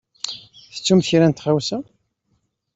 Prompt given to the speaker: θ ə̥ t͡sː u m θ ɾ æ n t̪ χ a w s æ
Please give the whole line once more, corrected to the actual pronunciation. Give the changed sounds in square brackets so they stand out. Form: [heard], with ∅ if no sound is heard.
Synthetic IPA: θ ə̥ t͡sː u m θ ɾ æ n t̪ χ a w s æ